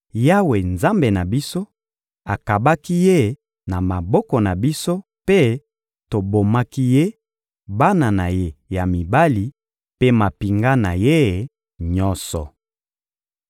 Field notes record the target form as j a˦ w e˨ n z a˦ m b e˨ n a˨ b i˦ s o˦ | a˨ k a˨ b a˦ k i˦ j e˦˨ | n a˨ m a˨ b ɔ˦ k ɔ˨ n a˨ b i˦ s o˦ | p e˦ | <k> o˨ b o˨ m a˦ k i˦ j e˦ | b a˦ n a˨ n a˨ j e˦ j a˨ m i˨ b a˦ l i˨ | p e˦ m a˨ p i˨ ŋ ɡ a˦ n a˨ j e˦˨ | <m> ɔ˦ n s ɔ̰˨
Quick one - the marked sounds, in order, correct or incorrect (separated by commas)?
incorrect, incorrect